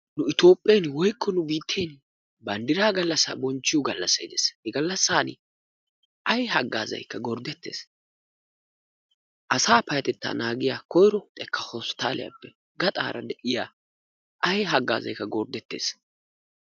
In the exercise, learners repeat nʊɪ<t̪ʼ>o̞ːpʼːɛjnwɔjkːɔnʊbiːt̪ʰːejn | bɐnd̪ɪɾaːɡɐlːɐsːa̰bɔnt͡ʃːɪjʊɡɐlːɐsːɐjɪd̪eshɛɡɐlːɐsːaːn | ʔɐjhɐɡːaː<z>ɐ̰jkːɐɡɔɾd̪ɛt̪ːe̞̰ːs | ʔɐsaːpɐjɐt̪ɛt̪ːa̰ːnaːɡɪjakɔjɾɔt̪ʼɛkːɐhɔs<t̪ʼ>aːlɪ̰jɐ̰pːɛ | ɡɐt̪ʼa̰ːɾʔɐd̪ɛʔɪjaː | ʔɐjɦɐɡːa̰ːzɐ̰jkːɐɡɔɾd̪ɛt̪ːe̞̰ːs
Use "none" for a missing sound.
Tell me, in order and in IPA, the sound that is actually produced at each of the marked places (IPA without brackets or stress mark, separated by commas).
t̪, z, t̪